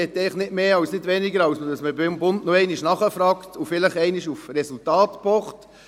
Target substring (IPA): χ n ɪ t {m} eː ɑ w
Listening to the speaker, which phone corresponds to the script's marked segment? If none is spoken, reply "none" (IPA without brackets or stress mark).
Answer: m